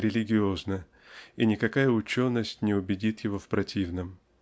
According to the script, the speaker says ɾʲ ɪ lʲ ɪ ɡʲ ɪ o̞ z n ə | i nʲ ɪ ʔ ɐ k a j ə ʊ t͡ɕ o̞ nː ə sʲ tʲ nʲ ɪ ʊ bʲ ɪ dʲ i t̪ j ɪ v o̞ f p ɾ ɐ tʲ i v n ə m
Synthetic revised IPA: ɾʲ ɪ lʲ ɪ ɡʲ ɪ o̞ z n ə | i nʲ ɪ k ɐ k a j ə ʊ t͡ɕ o̞ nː ə sʲ tʲ nʲ ɪ ʊ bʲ ɪ dʲ i t̪ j ɪ v o̞ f p ɾ ɐ tʲ i v n ə m